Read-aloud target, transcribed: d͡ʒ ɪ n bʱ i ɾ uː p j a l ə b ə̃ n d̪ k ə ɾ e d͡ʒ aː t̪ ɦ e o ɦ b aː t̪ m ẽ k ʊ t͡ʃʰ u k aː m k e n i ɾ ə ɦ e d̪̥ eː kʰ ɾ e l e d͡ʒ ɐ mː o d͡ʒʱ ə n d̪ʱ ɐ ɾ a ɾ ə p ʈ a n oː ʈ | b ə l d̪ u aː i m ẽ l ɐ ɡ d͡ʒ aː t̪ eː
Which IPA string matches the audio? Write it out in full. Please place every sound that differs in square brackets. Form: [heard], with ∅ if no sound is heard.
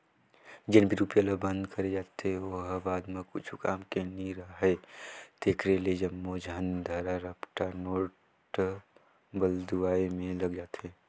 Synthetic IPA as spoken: d͡ʒ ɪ n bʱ i ɾ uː p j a l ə b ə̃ n d̪ k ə ɾ e d͡ʒ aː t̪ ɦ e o ɦ b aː [d̪] m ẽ k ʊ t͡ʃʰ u k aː m k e n i ɾ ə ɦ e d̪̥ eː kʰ ɾ e l e d͡ʒ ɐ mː o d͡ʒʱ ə n d̪ʱ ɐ ɾ a ɾ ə p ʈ a n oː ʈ | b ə l d̪ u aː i m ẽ l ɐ ɡ d͡ʒ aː t̪ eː